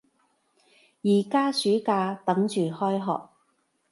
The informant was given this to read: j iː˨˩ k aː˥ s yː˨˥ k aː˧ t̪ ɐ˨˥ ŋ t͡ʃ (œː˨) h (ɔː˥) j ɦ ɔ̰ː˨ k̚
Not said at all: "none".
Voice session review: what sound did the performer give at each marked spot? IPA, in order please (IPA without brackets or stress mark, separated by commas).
yː˨, ɔː˥